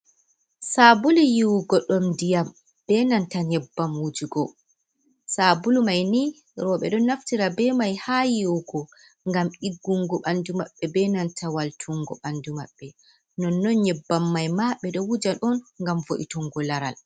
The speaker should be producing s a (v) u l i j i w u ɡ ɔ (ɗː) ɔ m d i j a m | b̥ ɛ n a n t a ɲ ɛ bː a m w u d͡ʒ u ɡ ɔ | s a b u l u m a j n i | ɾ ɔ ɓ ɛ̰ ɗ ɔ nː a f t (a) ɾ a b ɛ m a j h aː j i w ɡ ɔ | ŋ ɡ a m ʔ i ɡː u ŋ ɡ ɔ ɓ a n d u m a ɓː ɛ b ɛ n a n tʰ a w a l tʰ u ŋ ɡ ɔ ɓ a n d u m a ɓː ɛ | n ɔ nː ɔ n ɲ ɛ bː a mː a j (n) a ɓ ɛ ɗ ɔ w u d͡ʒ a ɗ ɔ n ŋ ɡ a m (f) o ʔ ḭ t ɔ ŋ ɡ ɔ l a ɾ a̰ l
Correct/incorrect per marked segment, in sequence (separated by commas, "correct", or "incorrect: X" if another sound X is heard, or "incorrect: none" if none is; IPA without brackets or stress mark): incorrect: b, incorrect: ɗ, incorrect: i, incorrect: m, incorrect: v